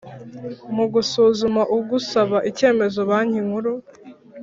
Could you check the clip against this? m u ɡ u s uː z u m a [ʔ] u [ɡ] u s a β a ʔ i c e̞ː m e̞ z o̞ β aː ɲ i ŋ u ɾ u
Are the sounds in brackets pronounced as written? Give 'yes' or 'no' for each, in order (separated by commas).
yes, yes